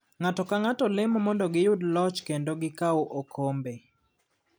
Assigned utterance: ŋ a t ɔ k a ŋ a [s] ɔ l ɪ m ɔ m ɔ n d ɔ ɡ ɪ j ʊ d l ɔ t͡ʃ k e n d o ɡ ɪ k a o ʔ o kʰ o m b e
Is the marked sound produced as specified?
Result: no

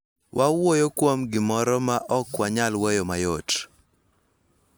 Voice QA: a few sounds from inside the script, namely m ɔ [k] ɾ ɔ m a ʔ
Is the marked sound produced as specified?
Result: no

